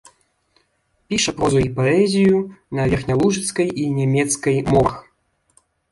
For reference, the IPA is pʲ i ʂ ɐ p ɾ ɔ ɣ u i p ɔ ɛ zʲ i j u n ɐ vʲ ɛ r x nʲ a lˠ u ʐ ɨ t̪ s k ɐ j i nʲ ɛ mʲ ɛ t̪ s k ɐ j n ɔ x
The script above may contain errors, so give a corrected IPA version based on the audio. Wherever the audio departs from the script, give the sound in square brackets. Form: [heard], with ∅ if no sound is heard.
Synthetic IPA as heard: pʲ i ʂ ɐ p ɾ ɔ [z] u i p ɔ ɛ zʲ i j u n ɐ vʲ ɛ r x nʲ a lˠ u ʐ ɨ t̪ s k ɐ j i nʲ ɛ mʲ ɛ t̪ s k ɐ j [m] ɔ x

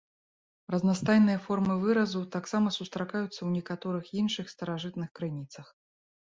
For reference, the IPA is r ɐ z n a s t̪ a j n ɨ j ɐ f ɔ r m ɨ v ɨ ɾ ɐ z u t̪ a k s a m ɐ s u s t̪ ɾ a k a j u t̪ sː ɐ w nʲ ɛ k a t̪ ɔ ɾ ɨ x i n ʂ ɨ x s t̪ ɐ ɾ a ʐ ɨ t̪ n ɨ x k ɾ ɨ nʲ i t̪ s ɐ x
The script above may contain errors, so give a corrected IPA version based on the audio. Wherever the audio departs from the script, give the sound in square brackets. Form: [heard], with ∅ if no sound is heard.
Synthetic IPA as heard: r ɐ z n a s t̪ a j n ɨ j ɐ f ɔ r m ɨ v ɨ ɾ ɐ z u t̪ a k s a m ɐ s u s t̪ ɾ a k a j u t̪ sː ɐ w nʲ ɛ k a t̪ ɔ ɾ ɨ x i n ʂ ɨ x s t̪ ɐ ɾ a ʐ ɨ t̪ n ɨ x k ɾ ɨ nʲ i t̪ s ɐ x

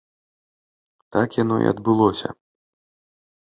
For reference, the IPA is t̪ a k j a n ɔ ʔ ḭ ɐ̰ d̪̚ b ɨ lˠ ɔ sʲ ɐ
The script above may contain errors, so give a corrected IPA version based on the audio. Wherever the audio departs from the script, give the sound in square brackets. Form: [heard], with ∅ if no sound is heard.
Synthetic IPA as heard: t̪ a k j a n ɔ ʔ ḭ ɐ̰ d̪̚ b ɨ lˠ ɔ sʲ ɐ

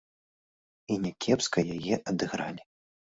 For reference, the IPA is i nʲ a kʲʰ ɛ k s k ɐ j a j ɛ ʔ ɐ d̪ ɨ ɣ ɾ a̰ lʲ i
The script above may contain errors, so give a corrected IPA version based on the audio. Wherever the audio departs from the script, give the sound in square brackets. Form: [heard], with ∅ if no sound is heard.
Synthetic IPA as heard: i nʲ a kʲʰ ɛ [p] s k ɐ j a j ɛ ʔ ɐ d̪ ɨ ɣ ɾ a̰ lʲ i

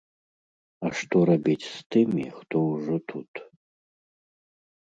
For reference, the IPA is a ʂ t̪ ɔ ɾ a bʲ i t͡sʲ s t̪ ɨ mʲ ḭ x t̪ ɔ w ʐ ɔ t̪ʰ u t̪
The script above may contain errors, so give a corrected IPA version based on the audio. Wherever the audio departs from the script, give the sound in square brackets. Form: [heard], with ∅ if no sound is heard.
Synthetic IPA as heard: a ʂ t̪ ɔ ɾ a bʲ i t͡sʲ s t̪ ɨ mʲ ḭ x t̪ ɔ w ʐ ɔ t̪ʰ u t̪

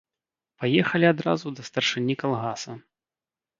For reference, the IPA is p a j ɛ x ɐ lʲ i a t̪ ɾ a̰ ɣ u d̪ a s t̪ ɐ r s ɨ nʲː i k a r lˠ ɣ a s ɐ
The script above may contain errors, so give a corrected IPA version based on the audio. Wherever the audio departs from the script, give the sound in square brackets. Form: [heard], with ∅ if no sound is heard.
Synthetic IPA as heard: p a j ɛ x ɐ lʲ i a [d̪] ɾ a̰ [z] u d̪ [ɐ] s t̪ ɐ r [ʂ] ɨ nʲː i k a [∅] lˠ ɣ a s ɐ

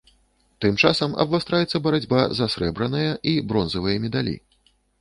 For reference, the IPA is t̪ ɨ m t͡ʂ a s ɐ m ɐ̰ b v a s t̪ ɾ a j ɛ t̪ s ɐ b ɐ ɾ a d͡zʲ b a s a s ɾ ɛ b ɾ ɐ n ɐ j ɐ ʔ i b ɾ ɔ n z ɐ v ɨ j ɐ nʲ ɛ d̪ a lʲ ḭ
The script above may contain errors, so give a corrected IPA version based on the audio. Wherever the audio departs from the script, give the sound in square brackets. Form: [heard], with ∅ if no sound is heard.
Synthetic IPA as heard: t̪ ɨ m t͡ʂ a s ɐ m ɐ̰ b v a s t̪ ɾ a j ɛ t̪ [sː] ɐ b ɐ ɾ a d͡zʲ b a [z] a s ɾ ɛ b ɾ ɐ n ɐ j ɐ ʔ i b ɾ ɔ n z ɐ v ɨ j ɐ [mʲ] ɛ d̪ a lʲ ḭ

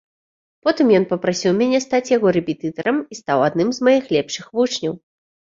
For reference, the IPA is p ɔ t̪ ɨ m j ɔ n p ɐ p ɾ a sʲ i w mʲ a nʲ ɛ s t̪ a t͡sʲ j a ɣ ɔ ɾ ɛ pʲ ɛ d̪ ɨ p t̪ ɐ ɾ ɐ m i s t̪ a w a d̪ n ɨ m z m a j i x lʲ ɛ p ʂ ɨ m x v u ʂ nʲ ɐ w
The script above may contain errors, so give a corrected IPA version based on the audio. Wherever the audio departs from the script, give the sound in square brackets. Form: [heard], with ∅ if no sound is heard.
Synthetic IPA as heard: p ɔ t̪ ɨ m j ɔ n p ɐ p ɾ a sʲ i w mʲ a nʲ ɛ s t̪ a t͡sʲ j a ɣ ɔ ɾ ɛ pʲ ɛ [t̪] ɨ [∅] t̪ ɐ ɾ ɐ m i s t̪ a w a d̪ n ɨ m z m a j i x lʲ ɛ p ʂ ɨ [∅] x v u [t͡ʂ] nʲ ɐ w

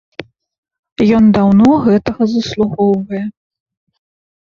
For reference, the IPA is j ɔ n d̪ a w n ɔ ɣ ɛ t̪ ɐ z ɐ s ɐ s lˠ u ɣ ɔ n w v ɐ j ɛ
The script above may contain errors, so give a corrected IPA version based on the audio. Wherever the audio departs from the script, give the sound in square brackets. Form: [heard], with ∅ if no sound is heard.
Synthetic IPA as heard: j ɔ n d̪ a w n ɔ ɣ ɛ t̪ ɐ [ɣ] ɐ [z] ɐ s lˠ u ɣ ɔ [∅] w v ɐ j ɛ

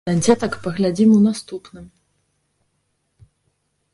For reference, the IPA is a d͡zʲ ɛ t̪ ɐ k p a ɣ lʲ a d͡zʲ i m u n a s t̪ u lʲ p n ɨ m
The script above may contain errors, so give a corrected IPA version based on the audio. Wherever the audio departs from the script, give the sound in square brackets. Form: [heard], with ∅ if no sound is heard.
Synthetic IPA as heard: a d͡zʲ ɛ t̪ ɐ k p [ɐ] ɣ lʲ a d͡zʲ i m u n a s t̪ u [∅] p n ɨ m

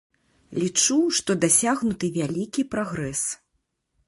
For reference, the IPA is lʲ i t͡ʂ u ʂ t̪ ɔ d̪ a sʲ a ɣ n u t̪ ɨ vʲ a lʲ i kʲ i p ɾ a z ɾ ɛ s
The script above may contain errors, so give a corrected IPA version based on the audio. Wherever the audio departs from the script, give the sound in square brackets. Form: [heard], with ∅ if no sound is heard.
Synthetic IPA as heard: lʲ i t͡ʂ u ʂ t̪ ɔ d̪ a sʲ a ɣ n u t̪ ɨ vʲ a lʲ i kʲ i p ɾ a [ɣ] ɾ ɛ s

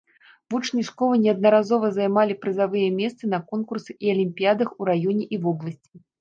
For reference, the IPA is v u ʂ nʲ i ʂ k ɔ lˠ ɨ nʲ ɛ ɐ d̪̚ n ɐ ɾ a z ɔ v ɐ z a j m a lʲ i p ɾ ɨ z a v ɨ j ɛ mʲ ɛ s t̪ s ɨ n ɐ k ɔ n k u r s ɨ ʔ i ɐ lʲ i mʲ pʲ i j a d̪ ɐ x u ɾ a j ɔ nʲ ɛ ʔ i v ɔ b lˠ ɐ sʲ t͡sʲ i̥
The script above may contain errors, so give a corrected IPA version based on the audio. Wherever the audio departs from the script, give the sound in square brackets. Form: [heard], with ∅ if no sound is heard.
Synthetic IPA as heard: v u [t͡ʂ] nʲ i ʂ k ɔ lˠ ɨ nʲ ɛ ɐ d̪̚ n ɐ ɾ a z ɔ v ɐ z a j m a lʲ i p ɾ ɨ z a v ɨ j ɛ mʲ ɛ s t̪ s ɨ n ɐ k ɔ n k u r s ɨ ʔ i ɐ lʲ i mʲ pʲ i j a d̪ ɐ x u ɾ a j ɔ nʲ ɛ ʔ i v ɔ b lˠ ɐ sʲ t͡sʲ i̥

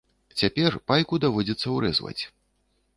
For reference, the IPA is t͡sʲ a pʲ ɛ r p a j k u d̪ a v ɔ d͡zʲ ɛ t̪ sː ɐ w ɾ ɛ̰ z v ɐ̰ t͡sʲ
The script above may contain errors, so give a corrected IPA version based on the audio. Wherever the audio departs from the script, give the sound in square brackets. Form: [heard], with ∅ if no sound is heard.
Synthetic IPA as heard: t͡sʲ a pʲ ɛ r p a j k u d̪ a v ɔ d͡zʲ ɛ t̪ sː ɐ w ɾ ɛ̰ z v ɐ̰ t͡sʲ

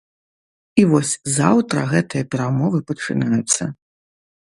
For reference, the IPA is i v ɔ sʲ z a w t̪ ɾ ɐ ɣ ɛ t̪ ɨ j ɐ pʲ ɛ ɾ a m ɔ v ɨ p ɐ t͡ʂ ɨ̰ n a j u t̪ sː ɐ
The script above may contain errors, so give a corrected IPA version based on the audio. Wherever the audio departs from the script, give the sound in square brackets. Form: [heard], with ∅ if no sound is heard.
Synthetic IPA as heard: i v ɔ sʲ z a w t̪ ɾ ɐ ɣ ɛ t̪ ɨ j ɐ pʲ ɛ ɾ a m ɔ v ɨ p ɐ t͡ʂ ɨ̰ n a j u t̪ sː ɐ

